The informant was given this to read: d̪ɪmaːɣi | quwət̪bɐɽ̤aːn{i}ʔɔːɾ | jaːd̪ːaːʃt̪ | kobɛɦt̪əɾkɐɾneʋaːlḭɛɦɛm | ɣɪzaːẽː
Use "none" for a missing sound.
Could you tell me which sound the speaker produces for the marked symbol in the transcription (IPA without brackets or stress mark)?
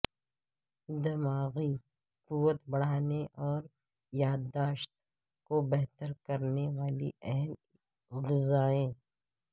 e